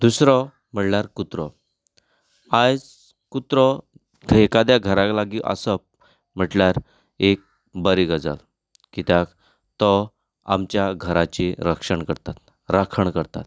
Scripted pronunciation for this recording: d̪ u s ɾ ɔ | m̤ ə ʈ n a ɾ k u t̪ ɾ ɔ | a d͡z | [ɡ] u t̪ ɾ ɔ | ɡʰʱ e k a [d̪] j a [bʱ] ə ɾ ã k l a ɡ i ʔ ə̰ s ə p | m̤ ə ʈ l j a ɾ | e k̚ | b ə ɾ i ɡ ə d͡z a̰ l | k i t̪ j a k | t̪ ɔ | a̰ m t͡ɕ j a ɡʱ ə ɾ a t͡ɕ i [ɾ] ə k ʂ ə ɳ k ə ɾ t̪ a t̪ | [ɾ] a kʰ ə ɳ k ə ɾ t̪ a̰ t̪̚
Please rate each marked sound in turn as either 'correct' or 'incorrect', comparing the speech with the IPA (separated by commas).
incorrect, correct, incorrect, correct, correct